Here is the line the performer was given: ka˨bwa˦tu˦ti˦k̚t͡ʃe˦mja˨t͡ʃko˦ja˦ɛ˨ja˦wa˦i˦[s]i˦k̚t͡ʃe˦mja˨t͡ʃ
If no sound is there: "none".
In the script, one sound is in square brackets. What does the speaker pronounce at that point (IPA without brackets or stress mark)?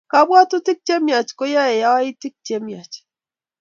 t